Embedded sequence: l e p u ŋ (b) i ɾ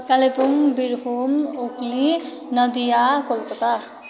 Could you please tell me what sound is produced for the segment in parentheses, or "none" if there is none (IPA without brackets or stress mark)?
b